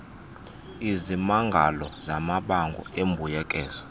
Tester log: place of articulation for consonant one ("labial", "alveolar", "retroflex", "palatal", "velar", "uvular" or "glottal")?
alveolar